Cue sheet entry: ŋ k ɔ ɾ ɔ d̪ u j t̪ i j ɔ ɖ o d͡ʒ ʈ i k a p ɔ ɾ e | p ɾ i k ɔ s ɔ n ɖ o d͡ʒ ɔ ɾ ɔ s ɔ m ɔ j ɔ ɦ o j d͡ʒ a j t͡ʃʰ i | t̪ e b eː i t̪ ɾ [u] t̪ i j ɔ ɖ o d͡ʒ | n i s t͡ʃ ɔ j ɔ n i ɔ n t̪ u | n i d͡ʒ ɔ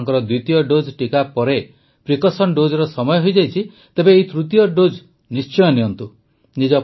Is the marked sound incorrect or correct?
correct